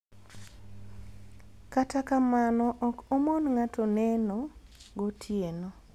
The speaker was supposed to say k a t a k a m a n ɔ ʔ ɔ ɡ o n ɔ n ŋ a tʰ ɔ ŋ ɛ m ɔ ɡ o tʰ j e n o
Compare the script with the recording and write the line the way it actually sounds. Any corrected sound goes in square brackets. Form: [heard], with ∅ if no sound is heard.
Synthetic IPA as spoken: k a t a k a m a n ɔ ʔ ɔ [k] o [m] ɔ n ŋ a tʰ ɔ [n] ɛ [n] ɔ ɡ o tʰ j e n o